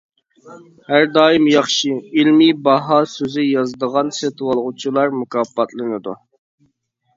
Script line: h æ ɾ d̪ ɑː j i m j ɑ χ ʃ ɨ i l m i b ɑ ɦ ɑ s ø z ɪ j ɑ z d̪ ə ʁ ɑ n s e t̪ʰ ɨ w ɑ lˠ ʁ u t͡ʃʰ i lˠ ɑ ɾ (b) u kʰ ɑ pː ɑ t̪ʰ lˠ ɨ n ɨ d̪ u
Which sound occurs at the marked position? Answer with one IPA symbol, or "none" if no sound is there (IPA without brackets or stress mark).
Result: m